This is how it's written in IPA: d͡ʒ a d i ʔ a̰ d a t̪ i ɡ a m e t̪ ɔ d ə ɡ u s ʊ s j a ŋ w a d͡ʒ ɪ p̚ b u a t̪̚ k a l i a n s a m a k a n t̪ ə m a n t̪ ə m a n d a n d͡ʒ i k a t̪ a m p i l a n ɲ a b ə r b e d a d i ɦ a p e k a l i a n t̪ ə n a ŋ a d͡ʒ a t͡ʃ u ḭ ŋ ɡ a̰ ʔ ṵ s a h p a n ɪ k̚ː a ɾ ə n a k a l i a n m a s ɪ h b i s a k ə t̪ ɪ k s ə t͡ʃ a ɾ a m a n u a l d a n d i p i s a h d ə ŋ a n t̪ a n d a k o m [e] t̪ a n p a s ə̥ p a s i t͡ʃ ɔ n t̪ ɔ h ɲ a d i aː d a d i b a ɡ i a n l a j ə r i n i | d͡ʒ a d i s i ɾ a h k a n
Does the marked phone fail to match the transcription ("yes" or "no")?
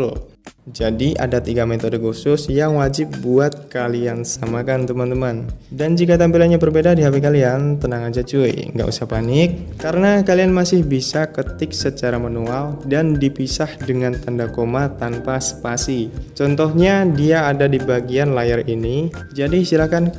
yes